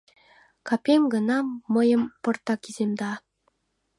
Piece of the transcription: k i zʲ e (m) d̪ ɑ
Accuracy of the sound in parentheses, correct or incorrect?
correct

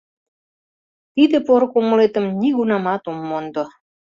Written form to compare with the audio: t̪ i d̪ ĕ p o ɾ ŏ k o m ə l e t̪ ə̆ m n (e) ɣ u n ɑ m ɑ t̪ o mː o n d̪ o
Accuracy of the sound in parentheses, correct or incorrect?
incorrect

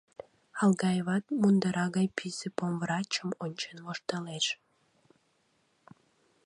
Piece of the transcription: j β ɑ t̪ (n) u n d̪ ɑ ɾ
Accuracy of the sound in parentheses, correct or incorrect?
incorrect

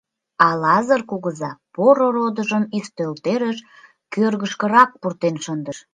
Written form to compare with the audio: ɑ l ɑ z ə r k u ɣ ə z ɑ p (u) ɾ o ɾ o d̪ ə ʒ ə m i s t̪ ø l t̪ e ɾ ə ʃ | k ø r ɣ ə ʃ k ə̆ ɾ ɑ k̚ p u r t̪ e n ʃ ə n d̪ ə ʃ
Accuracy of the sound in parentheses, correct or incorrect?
incorrect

